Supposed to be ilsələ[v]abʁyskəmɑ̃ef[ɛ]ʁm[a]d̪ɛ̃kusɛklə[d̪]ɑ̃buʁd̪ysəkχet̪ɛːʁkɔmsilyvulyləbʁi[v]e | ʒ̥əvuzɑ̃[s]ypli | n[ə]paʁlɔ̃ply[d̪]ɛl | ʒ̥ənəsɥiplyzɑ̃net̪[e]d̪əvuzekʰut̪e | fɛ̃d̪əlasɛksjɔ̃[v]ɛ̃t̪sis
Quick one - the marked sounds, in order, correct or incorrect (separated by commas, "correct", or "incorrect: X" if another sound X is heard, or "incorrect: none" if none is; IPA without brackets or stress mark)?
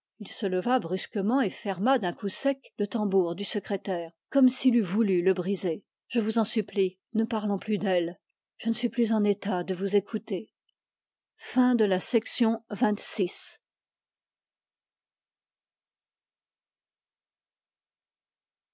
correct, correct, correct, incorrect: t̪, incorrect: z, correct, correct, correct, incorrect: a, correct